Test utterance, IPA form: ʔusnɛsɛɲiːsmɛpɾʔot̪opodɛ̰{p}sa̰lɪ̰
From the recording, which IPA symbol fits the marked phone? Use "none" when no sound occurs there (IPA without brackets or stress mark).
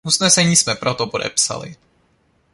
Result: p